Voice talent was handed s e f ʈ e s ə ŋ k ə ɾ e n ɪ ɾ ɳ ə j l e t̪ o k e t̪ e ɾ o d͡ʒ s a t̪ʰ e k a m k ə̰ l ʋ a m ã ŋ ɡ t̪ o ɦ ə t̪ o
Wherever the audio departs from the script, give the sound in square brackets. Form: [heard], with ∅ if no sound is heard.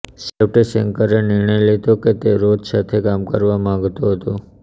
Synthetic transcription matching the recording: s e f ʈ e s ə ŋ k ə ɾ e n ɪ ɾ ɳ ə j l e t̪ o k e t̪ e ɾ o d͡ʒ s a t̪ʰ e k a m k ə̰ [ɾ] ʋ a m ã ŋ ɡ t̪ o ɦ ə t̪ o

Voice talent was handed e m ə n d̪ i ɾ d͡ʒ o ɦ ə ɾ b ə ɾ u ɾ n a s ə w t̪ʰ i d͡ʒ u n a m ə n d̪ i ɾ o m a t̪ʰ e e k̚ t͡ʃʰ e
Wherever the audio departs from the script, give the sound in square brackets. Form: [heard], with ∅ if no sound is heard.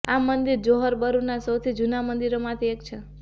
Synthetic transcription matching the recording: [a] m ə n d̪ i ɾ d͡ʒ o ɦ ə ɾ b ə ɾ u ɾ n a s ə w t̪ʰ i d͡ʒ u n a m ə n d̪ i ɾ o m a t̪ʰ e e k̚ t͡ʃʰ e

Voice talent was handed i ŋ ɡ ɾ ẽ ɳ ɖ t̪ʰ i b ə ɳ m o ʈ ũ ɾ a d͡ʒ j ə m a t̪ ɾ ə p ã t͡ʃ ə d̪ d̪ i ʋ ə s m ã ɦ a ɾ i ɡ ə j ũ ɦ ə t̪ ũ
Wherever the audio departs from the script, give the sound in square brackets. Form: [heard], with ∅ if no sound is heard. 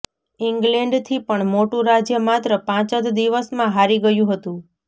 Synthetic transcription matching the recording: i ŋ ɡ [l] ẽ ɳ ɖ t̪ʰ i [p] ə ɳ m o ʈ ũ ɾ a d͡ʒ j ə m a t̪ ɾ ə p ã t͡ʃ ə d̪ d̪ i ʋ ə s m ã ɦ a ɾ i ɡ ə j ũ ɦ ə t̪ ũ

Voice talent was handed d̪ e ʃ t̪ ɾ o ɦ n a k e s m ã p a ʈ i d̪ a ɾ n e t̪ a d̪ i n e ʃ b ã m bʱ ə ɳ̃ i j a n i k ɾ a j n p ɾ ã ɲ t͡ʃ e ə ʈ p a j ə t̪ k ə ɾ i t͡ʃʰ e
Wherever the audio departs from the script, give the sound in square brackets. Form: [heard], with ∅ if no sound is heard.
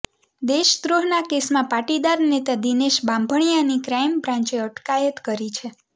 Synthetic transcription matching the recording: d̪ e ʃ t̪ ɾ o ɦ n a k e s m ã p a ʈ i d̪ a ɾ n e t̪ a d̪ i n e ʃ b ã m bʱ ə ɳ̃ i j a n i k ɾ a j [m] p ɾ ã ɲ t͡ʃ e ə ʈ [k] a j ə t̪ k ə ɾ i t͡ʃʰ e

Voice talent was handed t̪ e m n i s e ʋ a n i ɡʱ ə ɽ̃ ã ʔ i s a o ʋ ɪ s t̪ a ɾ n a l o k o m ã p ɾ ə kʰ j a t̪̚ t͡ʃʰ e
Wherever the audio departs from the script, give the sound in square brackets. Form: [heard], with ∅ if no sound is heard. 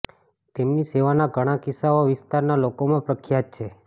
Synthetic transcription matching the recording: t̪ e m n i s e ʋ a n [a] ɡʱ ə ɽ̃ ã [k] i s a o ʋ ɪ s t̪ a ɾ n a l o k o m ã p ɾ ə kʰ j a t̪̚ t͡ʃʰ e

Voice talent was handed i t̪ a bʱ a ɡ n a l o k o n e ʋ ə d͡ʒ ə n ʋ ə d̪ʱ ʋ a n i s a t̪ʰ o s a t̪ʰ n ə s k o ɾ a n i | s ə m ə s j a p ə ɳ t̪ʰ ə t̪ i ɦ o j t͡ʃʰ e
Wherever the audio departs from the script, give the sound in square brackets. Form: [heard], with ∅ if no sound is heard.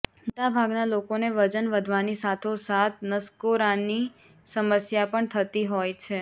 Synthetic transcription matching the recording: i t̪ a bʱ a ɡ n a l o k o n e ʋ ə d͡ʒ ə n ʋ ə d̪ʱ ʋ a n i s a t̪ʰ o s a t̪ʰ n ə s k o ɾ a n i | s ə m ə s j a p ə ɳ t̪ʰ ə t̪ i ɦ o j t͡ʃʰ e

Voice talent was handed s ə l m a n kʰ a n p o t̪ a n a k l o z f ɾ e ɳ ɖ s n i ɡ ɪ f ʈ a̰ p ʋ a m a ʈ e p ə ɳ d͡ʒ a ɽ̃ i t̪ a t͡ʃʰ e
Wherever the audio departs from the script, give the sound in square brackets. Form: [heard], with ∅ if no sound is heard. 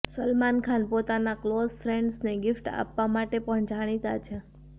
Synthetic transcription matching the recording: s ə l m a n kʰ a n p o t̪ a n a k l o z f ɾ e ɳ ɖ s n [e] ɡ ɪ f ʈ a̰ p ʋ a m a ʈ e p ə ɳ d͡ʒ a ɽ̃ i t̪ a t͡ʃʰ e

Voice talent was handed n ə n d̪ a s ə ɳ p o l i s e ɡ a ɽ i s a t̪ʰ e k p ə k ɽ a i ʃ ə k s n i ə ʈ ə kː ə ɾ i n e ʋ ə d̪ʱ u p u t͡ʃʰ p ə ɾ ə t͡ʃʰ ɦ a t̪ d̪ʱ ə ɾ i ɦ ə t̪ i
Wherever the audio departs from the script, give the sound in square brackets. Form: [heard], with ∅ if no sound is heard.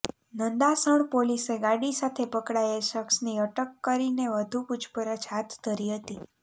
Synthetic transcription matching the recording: n ə n d̪ a s ə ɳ p o l i s e ɡ a ɽ i s a t̪ʰ e [∅] p ə k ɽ a [e] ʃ ə k s n i ə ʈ ə kː ə ɾ i n e ʋ ə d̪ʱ u p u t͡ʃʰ p ə ɾ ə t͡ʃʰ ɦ a t̪ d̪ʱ ə ɾ i ɦ ə t̪ i

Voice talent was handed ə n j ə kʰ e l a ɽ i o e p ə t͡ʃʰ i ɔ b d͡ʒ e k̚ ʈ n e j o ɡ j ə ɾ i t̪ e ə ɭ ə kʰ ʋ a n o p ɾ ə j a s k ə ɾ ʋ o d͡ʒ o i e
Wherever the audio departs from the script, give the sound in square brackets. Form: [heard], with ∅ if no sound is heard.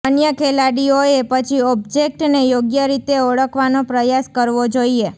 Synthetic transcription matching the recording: ə n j ə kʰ e l a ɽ i o e p ə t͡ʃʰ i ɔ b d͡ʒ e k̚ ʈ n e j o ɡ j ə ɾ i t̪ e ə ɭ ə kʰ ʋ a n o p ɾ ə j a s k ə ɾ ʋ o d͡ʒ o i e

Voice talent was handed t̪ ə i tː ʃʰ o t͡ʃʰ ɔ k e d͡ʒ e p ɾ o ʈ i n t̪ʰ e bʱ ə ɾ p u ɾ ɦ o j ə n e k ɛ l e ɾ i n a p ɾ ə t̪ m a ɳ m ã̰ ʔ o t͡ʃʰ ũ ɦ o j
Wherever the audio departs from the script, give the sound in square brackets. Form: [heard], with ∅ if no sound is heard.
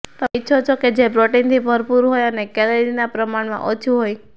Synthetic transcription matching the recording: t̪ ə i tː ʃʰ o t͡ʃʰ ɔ k e d͡ʒ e [b] ɾ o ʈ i n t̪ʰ [i] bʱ ə ɾ p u ɾ ɦ o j ə n e k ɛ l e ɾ i n a p ɾ ə [∅] m a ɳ m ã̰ ʔ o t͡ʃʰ [u] ɦ o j

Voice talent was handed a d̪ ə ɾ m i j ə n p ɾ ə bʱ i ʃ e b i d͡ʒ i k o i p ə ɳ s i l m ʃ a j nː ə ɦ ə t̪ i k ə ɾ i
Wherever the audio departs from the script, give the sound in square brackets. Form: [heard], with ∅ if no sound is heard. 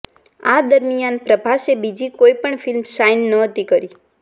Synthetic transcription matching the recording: a d̪ ə ɾ m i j [a] n p ɾ ə bʱ [a] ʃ e b i d͡ʒ i k o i p ə ɳ [f] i l m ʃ a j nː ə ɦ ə t̪ i k ə ɾ i

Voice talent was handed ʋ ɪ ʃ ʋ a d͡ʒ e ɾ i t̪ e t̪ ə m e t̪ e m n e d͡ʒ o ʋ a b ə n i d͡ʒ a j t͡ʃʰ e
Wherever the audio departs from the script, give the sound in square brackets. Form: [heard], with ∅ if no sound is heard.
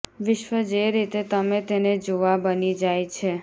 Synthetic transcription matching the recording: ʋ ɪ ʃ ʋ [ə] d͡ʒ e ɾ i t̪ e t̪ ə m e t̪ e [∅] n e d͡ʒ o ʋ a b ə n i d͡ʒ a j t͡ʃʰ e

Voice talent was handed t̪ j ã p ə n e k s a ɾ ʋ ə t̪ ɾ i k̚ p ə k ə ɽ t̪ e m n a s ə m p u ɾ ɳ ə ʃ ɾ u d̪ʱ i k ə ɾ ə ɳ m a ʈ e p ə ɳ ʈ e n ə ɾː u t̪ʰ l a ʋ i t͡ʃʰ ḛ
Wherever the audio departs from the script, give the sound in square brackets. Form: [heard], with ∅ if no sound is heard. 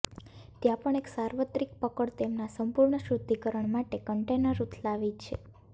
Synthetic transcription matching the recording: t̪ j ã p ə [ɳ] e k s a ɾ ʋ ə t̪ ɾ i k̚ p ə k ə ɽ t̪ e m n a s ə m p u ɾ ɳ ə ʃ ɾ u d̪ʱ i k ə ɾ ə ɳ m a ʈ e [k] ə ɳ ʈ e n ə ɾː u t̪ʰ l a ʋ i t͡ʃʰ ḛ

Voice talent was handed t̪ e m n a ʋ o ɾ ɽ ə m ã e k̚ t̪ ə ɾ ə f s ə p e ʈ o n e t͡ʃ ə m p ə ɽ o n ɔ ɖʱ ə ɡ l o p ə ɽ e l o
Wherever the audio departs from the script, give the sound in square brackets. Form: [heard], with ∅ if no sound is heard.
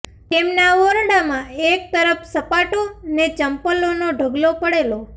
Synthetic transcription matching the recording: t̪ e m n a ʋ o ɾ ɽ [a] m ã e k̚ t̪ ə ɾ ə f s ə p [a] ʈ o n e t͡ʃ ə m p ə [l] o n [o] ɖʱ ə ɡ l o p ə ɽ e l o

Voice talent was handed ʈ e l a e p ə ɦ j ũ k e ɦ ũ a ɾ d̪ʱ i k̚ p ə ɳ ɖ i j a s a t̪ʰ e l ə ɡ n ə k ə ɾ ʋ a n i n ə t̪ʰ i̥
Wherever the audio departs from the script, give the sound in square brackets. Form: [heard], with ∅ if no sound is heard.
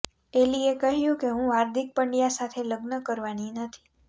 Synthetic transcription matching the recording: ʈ e l [i] e [k] ə ɦ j ũ k e ɦ ũ a ɾ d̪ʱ i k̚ p ə ɳ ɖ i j a s a t̪ʰ e l ə ɡ n ə k ə ɾ ʋ a n i n ə t̪ʰ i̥

